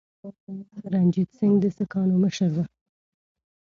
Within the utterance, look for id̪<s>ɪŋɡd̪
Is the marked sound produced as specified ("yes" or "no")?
yes